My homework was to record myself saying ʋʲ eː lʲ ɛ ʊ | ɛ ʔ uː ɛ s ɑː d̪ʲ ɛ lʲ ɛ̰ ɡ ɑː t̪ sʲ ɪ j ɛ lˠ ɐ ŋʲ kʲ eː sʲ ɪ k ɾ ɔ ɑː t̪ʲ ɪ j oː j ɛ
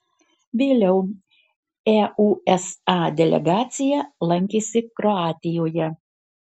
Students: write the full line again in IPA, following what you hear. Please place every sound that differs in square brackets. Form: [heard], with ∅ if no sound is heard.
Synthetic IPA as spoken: ʋʲ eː lʲ ɛ ʊ | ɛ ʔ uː ɛ s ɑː d̪ʲ ɛ lʲ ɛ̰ ɡ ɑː t̪ sʲ ɪ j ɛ lˠ ɐ ŋʲ kʲ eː sʲ ɪ k ɾ ɔ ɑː t̪ʲ ɪ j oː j ɛ